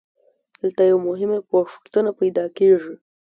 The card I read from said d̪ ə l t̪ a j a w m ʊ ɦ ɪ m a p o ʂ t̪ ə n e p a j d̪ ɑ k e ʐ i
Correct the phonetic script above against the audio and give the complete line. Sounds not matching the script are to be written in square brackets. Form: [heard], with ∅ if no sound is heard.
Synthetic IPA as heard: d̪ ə l t̪ a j a w m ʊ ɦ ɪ m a p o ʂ t̪ ə n [a] p a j d̪ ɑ k e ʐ i